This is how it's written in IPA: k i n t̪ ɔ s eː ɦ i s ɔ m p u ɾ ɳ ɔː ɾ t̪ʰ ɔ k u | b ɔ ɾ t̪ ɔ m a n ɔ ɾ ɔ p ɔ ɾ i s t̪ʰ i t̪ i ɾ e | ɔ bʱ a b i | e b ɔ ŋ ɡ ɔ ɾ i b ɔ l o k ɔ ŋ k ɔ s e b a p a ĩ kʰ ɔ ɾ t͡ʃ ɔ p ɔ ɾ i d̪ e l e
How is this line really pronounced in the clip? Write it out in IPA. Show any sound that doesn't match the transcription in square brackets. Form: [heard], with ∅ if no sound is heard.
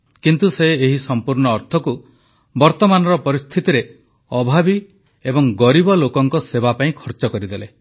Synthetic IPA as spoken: k i n t̪ [u] s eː ɦ i s ɔ m p u ɾ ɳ ɔː ɾ t̪ʰ ɔ k u | b ɔ ɾ t̪ ɔ m a n ɔ ɾ ɔ p ɔ ɾ i s t̪ʰ i t̪ i ɾ e | ɔ bʱ a b i | e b ɔ ŋ ɡ ɔ ɾ i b ɔ l o k ɔ ŋ k ɔ s e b a p a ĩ kʰ ɔ ɾ t͡ʃ ɔ [k] ɔ ɾ i d̪ e l e